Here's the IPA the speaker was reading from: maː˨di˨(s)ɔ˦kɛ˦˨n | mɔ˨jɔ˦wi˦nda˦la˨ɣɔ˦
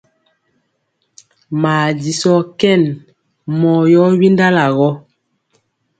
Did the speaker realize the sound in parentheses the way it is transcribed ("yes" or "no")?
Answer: yes